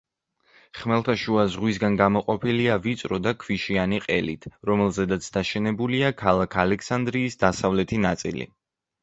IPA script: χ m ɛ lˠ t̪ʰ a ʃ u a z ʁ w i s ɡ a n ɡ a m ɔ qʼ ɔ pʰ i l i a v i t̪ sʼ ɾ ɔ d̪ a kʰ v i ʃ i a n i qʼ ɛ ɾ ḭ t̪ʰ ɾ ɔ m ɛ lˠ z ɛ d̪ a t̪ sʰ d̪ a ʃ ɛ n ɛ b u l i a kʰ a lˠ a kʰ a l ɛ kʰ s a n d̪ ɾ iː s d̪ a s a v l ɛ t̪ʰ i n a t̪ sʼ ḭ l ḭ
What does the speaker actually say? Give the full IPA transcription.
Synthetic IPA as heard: χ m ɛ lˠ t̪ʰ a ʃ u a z ʁ w i s ɡ a n ɡ a m ɔ qʼ ɔ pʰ i l i a v i t̪ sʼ ɾ ɔ d̪ a kʰ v i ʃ i a n i qʼ ɛ l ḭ t̪ʰ ɾ ɔ m ɛ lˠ z ɛ d̪ a t̪ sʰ d̪ a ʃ ɛ n ɛ b u l i a kʰ a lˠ a kʰ a l ɛ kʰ s a n d̪ ɾ iː s d̪ a s a v l ɛ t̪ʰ i n a t̪ sʼ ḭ l ḭ

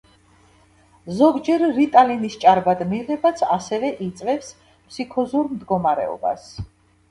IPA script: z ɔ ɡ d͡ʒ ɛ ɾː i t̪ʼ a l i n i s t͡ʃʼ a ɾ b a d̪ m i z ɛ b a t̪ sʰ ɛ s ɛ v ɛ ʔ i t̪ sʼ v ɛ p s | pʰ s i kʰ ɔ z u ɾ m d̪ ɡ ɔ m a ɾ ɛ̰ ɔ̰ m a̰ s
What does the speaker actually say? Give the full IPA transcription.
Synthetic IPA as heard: z ɔ ɡ d͡ʒ ɛ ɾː i t̪ʼ a l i n i s t͡ʃʼ a ɾ b a d̪ m i ʁ ɛ b a t̪ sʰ a s ɛ v ɛ ʔ i t̪ sʼ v ɛ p s | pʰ s i kʰ ɔ z u ɾ m d̪ ɡ ɔ m a ɾ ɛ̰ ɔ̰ b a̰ s

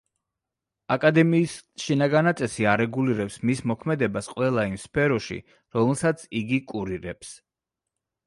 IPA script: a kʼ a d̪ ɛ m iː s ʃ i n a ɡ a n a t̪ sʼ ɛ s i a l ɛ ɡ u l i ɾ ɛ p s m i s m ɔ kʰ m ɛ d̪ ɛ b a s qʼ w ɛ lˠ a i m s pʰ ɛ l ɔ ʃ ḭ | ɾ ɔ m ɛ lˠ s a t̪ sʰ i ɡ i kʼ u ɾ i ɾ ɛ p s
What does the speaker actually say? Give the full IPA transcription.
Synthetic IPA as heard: a kʼ a d̪ ɛ m iː s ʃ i n a ɡ a n a t̪ sʼ ɛ s i a ɾ ɛ ɡ u l i ɾ ɛ p s m i s m ɔ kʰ m ɛ d̪ ɛ b a s qʼ w ɛ lˠ a i m s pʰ ɛ ɾ ɔ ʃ ḭ | ɾ ɔ m ɛ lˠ s a t̪ sʰ i ɡ i kʼ u ɾ i ɾ ɛ p s

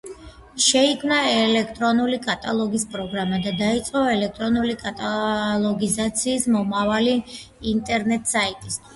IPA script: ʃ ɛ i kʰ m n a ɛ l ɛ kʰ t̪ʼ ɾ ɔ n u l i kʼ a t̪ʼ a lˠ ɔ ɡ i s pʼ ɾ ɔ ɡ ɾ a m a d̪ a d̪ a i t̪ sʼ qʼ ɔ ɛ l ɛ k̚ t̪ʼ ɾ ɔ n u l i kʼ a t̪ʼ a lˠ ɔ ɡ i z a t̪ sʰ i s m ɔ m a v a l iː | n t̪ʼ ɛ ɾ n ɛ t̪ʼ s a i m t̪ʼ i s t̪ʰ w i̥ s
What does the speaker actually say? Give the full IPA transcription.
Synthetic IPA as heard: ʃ ɛ i kʰ m n a ɛ l ɛ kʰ t̪ʼ ɾ ɔ n u l i kʼ a t̪ʼ a lˠ ɔ ɡ i s pʼ ɾ ɔ ɡ ɾ a m a d̪ a d̪ a i t̪ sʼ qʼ ɔ ɛ l ɛ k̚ t̪ʼ ɾ ɔ n u l i kʼ a t̪ʼ a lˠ ɔ ɡ i z a t̪ sʰ iː s m ɔ m a v a l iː | n t̪ʼ ɛ ɾ n ɛ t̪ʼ s a i t̪ʼ i s t̪ʰ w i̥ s

